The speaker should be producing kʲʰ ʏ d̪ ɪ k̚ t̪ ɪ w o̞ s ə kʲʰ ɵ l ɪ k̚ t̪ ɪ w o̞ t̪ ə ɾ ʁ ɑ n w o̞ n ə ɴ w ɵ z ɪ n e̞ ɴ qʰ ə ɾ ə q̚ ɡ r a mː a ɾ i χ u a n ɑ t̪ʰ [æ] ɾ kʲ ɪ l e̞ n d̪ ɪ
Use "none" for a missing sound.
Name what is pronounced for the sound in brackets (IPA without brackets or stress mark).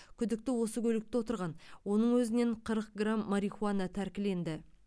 æ